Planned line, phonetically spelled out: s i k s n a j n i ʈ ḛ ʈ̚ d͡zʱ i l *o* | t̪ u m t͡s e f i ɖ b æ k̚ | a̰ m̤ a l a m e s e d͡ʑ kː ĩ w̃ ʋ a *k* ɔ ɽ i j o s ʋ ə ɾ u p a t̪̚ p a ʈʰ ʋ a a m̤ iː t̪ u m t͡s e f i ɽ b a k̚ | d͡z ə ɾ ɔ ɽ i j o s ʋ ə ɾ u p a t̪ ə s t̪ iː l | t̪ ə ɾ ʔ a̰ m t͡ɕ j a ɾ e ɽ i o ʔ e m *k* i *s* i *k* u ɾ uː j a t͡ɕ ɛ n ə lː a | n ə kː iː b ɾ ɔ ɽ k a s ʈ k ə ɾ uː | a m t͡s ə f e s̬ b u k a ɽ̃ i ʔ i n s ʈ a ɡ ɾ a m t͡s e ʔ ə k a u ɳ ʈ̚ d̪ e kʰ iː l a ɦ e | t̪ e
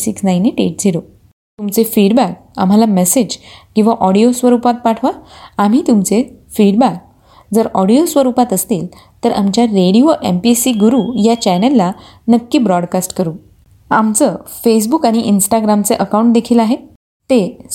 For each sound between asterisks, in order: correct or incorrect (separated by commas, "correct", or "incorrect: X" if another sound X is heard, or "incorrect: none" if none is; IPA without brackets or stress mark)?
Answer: correct, incorrect: ʔ, incorrect: p, correct, incorrect: ɡ